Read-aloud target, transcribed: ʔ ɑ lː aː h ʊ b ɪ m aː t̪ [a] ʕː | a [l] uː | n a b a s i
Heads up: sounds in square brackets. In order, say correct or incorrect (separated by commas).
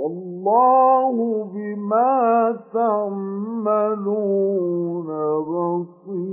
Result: correct, correct